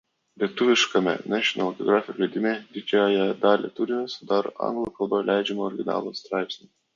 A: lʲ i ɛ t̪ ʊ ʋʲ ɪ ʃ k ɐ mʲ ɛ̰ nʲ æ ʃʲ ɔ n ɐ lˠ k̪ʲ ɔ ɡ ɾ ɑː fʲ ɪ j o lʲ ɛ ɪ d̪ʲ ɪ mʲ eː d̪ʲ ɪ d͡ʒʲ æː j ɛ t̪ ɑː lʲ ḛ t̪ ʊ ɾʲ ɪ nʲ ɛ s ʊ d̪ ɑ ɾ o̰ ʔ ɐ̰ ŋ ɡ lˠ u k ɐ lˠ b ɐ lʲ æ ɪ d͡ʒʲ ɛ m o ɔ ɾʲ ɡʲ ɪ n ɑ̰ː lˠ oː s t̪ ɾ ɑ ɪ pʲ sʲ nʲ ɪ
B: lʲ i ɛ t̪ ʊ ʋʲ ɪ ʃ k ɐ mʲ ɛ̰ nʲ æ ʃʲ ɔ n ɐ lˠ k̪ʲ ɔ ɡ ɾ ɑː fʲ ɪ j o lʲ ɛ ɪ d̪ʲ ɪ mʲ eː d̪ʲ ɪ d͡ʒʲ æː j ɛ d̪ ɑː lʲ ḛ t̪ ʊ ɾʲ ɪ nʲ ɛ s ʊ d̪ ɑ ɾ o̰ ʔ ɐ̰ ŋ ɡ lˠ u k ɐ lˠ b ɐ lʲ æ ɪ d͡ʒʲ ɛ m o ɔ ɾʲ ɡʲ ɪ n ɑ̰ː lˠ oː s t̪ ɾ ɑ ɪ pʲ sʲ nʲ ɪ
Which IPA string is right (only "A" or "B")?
B